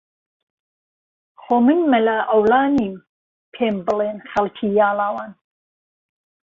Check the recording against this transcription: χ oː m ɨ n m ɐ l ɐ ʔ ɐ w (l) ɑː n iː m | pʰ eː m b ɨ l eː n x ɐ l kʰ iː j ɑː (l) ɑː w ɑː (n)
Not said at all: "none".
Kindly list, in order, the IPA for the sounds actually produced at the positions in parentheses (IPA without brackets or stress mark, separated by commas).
l, l, n